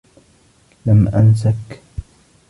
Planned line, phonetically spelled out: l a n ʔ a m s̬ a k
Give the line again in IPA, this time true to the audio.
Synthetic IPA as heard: l a m ʔ a n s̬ a k

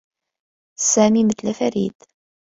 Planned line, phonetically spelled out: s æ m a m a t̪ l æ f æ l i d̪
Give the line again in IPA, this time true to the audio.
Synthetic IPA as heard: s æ m i m ə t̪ l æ f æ ɾ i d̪

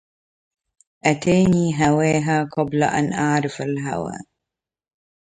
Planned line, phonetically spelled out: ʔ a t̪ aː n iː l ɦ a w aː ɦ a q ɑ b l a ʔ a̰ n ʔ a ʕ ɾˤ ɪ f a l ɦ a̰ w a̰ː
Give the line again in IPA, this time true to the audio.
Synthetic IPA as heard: ʔ a t̪ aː n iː ɦ a w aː ɦ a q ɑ b l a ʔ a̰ n ʔ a ʕ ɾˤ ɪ f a l ɦ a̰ w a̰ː

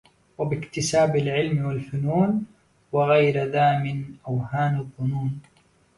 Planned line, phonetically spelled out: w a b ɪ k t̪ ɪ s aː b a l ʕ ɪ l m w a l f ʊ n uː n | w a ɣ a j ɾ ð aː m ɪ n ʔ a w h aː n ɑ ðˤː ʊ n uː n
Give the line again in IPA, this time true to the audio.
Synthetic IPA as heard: w a b ɪ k t̪ ɪ s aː b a l ʕ ɪ l m w a l f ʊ n uː n | w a ɣ a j ɾ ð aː m ɪ n ʔ a w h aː n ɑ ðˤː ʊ n uː n

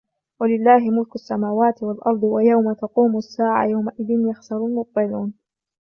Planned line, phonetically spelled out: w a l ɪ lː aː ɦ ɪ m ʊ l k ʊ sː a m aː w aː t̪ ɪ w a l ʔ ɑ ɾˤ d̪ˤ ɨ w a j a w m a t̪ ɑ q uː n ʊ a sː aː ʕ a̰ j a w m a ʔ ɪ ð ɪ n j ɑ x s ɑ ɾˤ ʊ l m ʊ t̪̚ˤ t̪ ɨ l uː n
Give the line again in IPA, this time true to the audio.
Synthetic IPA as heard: w a l ɪ lː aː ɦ ɪ m ʊ l k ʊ sː a m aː w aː t̪ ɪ w a l ʔ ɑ ɾˤ d̪ˤ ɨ w a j a w m a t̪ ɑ q uː m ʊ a sː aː ʕ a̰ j a w m a ʔ ɪ ð ɪ n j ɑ x s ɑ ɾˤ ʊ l m ʊ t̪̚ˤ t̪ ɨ l uː n

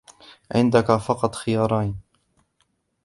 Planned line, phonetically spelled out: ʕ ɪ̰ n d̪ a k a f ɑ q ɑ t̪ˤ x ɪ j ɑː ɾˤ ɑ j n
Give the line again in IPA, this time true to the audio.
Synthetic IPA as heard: ʕ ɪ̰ n d̪ a k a f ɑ q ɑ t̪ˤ x ɪ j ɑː ɾˤ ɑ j n

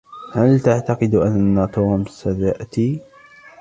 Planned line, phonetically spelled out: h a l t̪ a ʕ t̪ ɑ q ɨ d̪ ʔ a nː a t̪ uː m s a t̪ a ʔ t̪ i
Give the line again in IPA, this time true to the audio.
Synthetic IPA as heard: h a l t̪ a ʕ t̪ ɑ q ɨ d̪ ʔ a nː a t̪ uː m s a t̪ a ʔ t̪ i

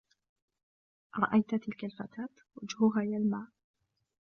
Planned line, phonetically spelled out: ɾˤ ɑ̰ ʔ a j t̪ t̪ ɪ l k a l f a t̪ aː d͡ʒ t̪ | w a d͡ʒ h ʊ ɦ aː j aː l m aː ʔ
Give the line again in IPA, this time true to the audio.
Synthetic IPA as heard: ɾˤ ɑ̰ ʔ a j t̪ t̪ ɪ l k a l f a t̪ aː t̪ | w a d͡ʒ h ʊ ɦ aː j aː l m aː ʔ

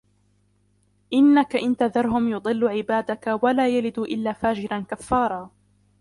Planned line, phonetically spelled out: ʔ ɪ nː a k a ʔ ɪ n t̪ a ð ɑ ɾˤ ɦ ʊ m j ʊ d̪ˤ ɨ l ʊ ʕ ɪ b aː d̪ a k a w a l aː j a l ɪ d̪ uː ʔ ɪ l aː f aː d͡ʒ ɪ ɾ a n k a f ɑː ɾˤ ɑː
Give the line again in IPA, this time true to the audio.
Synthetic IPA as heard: ʔ ɪ nː a k a ʔ ɪ n t̪ a ð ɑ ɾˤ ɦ ʊ m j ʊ d̪ˤ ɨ lː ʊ ʕ ɪ b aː d̪ a k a w a l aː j a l ɪ d̪ uː ʔ ɪ lː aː f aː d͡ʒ ɪ ɾ a n k a fː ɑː ɾˤ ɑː

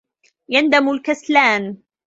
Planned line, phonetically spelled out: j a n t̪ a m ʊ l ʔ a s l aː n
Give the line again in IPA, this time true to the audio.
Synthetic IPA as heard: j a n d̪ a m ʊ l k a s l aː n

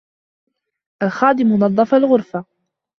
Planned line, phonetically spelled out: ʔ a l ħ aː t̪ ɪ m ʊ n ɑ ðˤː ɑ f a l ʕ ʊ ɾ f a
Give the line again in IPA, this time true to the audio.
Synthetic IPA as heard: ʔ a l x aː d̪ ɪ m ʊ n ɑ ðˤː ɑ f a l ɣ ʊ ɾ f a

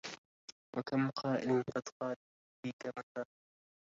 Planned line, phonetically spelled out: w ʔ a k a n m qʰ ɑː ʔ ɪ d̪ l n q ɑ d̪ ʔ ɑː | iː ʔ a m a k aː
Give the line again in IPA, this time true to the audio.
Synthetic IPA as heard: w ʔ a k a m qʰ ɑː ʔ ɪ l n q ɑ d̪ q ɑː | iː k a m a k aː

